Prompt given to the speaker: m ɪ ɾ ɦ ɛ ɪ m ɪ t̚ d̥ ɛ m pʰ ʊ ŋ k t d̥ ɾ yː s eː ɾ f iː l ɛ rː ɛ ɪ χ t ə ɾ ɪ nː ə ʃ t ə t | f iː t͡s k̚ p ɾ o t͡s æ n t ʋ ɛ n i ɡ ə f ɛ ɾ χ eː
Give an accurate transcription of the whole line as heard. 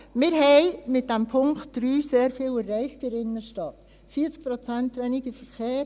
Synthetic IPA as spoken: m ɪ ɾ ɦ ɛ ɪ m ɪ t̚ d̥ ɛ m pʰ ʊ ŋ k t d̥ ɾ yː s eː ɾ f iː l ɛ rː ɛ ɪ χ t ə ɾ ɪ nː ə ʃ t ɑ t | f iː t͡s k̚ p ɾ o t͡s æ n t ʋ ɛ n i ɡ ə f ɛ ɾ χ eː